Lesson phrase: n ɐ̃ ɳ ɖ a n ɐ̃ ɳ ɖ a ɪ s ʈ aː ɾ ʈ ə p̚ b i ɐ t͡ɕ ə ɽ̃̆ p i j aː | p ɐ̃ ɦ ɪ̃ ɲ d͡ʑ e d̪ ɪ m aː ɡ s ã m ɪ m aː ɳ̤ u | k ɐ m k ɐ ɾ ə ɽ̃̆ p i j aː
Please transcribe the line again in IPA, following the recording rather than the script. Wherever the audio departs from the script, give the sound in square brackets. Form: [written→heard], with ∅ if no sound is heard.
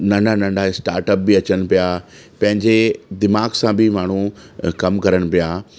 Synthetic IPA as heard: n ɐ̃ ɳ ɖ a n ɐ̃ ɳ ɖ a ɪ s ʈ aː ɾ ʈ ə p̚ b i ɐ t͡ɕ ə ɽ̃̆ p i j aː | p ɐ̃ ɦ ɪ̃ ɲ d͡ʑ e d̪ ɪ m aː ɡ s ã [m→b] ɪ m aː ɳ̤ u | k ɐ m k ɐ ɾ ə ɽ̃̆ p i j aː